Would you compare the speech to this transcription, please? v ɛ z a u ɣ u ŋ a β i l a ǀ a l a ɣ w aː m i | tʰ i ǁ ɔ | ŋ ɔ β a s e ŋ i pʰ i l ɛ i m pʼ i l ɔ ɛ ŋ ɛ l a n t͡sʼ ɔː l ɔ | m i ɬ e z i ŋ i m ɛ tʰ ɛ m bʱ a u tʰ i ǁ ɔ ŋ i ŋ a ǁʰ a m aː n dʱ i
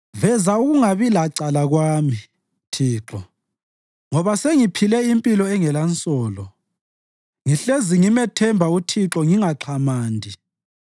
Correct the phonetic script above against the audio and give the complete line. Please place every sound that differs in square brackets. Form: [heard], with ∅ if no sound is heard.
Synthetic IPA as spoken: v ɛ z a u ɣ u ŋ a β i l a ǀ a l a ɣ w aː m i | tʰ [iː] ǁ ɔ | ŋ ɔ β a s e ŋ i pʰ i l ɛ i m pʼ i l ɔ ɛ ŋ ɛ l a n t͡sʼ ɔː l ɔ | [ŋ] i ɬ e z i ŋ i m ɛ tʰ ɛ m bʱ a u tʰ i ǁ ɔ ŋ i ŋ a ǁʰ a m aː n dʱ i